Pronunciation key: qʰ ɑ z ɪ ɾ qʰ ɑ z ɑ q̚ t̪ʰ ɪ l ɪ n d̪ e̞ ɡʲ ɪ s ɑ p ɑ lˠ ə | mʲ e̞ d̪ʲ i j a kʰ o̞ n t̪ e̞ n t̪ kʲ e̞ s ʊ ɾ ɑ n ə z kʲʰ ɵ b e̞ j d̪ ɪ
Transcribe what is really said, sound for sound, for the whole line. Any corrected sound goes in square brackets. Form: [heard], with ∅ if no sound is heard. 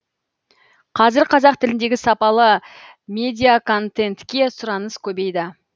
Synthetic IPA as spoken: qʰ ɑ z ɪ ɾ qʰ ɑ z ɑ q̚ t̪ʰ ɪ l ɪ n d̪ e̞ ɡʲ ɪ s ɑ p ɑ lˠ ə | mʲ e̞ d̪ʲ i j a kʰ o̞ n t̪ e̞ n t̪ kʲ e̞ s ʊ ɾ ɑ n ə [s] kʲʰ ɵ b e̞ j d̪ ɪ